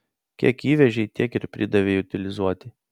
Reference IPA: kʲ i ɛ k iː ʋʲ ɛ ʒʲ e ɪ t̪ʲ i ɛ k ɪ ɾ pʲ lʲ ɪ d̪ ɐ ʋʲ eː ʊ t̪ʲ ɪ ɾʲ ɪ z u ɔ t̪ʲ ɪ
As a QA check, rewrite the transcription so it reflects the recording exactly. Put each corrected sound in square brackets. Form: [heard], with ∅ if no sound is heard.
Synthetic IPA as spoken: kʲ i ɛ k iː ʋʲ ɛ ʒʲ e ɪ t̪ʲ i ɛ k ɪ ɾ pʲ [ɾʲ] ɪ d̪ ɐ ʋʲ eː ʊ t̪ʲ ɪ [lʲ] ɪ z u ɔ t̪ʲ ɪ